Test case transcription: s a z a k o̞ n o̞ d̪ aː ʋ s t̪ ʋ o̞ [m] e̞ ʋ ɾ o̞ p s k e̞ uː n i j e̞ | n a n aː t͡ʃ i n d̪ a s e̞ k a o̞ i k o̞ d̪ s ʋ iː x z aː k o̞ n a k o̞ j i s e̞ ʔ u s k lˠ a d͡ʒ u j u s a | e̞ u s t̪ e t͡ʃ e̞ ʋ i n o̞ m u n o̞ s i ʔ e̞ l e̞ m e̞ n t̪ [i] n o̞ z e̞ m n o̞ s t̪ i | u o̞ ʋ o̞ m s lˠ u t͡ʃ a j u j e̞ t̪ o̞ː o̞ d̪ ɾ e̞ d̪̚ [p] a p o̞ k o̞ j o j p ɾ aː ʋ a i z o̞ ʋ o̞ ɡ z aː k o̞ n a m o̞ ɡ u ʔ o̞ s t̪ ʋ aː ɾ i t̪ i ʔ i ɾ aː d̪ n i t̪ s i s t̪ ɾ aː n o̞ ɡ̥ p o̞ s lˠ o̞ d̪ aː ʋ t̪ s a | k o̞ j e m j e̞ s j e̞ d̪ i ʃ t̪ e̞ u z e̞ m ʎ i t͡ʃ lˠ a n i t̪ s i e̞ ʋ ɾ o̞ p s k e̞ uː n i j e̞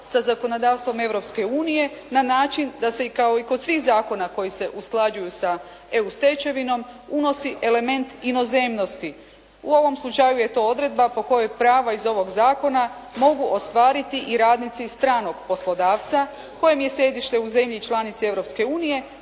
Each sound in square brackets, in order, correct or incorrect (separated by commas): correct, correct, incorrect